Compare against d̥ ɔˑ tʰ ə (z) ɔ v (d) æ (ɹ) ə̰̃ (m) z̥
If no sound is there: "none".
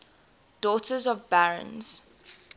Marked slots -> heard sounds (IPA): z, b, ɹ, n

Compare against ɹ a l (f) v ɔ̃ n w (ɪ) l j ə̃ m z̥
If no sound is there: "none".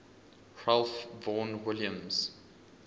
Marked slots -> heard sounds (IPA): f, ɪ

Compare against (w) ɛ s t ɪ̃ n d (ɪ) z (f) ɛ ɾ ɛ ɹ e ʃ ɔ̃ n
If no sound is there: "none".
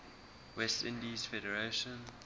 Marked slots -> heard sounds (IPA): w, i, f

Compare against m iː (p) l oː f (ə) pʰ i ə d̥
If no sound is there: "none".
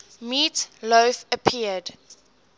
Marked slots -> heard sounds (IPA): t, ə

